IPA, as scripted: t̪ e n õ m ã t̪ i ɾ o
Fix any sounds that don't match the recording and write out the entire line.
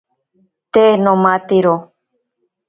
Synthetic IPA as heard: t̪ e n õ m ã t̪ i ɾ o